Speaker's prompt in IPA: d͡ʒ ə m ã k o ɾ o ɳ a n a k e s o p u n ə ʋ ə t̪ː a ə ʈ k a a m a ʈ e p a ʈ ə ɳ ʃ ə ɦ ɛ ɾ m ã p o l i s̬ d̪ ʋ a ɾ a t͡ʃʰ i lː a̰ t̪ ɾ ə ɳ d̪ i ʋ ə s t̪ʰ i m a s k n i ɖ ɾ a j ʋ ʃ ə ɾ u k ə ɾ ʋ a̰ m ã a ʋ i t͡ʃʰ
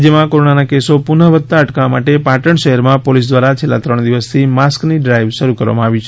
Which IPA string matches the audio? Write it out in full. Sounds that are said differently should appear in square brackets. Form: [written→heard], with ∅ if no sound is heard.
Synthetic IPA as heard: d͡ʒ ə m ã k o ɾ o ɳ a n a k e s o p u n ə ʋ ə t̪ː a ə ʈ k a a m a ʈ e p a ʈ ə ɳ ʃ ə ɦ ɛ ɾ m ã p o l i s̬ d̪ ʋ a ɾ a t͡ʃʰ [i→e] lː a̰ t̪ ɾ ə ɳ d̪ i ʋ ə s t̪ʰ i m a s k n i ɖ ɾ a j ʋ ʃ ə ɾ u k ə ɾ ʋ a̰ m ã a ʋ i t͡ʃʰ